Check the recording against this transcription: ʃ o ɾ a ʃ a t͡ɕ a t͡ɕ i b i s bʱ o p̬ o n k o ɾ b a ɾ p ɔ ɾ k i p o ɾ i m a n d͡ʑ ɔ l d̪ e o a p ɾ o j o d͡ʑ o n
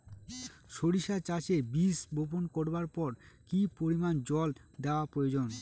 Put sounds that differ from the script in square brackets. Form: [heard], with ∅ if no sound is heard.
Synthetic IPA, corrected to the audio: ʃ o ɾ [i] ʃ a t͡ɕ a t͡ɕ [e] b i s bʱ o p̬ o n k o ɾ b a ɾ p ɔ ɾ k i p o ɾ i m a n d͡ʑ ɔ l d̪ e o a p ɾ o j o d͡ʑ o n